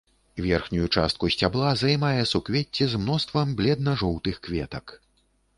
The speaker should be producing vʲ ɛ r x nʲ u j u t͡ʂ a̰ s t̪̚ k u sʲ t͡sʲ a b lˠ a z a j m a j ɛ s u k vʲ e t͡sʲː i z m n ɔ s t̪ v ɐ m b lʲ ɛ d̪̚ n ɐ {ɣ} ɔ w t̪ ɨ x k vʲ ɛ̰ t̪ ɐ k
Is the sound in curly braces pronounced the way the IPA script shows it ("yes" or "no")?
no